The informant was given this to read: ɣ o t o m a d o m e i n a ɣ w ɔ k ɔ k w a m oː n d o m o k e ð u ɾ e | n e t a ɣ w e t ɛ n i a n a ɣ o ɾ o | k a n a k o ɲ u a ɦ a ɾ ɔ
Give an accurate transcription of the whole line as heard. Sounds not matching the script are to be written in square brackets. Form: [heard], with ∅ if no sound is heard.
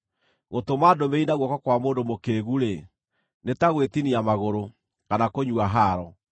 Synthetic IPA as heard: ɣ o t o m a d o m e i n a ɣ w ɔ k ɔ k w a m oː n d o m o k e [ɣ] u ɾ e | n e t a ɣ w e t [i] n i a [m] a ɣ o ɾ o | k a n a k o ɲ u a ɦ a ɾ ɔ